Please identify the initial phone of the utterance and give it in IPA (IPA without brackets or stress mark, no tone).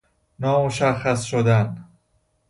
n